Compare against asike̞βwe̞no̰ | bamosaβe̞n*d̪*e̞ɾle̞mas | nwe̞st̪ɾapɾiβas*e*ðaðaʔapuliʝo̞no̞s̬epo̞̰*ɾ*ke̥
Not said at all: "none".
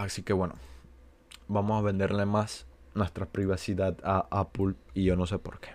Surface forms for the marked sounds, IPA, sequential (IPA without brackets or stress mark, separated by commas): d̪, i, ɾ